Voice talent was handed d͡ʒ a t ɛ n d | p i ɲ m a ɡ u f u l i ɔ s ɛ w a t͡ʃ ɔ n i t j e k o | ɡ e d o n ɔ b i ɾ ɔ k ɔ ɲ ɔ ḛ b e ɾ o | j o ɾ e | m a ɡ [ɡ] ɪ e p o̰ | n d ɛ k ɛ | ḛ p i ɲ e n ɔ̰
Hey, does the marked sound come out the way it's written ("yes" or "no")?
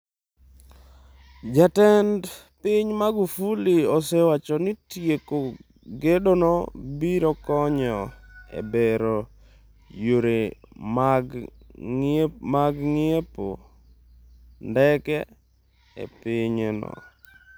no